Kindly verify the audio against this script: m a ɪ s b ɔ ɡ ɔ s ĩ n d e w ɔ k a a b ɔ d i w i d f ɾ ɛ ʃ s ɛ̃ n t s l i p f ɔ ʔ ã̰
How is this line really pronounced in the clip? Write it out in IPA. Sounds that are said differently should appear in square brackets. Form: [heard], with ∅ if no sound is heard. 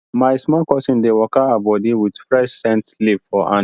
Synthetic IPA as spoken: m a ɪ s [m] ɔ [k] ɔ s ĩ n d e w ɔ k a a b ɔ d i w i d f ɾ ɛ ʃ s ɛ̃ n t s l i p f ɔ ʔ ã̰